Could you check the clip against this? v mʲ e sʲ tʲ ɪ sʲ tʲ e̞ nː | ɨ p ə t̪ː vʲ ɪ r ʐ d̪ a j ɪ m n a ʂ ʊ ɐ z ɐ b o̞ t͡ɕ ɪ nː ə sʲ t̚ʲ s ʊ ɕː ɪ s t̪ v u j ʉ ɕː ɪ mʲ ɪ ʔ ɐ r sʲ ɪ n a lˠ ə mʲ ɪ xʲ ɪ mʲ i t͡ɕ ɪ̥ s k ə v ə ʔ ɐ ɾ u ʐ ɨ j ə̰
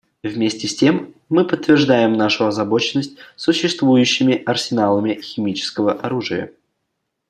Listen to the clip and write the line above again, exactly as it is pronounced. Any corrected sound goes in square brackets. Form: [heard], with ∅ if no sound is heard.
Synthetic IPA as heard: v mʲ e sʲ tʲ ɪ sʲ tʲ e̞ [mː] | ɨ p ə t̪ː vʲ ɪ r ʐ d̪ a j ɪ m n a ʂ ʊ ɐ z ɐ b o̞ t͡ɕ ɪ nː ə sʲ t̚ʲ s ʊ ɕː ɪ s t̪ v u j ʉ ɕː ɪ mʲ ɪ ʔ ɐ r sʲ ɪ n a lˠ ə mʲ ɪ xʲ ɪ mʲ i t͡ɕ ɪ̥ s k ə v ə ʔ ɐ ɾ u ʐ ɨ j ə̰